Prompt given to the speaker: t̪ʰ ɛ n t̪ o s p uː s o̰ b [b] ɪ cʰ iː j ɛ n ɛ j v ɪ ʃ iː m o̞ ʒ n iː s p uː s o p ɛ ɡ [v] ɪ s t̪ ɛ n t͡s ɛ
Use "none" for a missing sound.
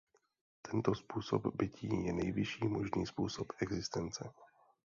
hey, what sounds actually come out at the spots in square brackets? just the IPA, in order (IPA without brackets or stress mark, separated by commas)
b, z